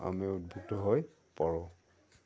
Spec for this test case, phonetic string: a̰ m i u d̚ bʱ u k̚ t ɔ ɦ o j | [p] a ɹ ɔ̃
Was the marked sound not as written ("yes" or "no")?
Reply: no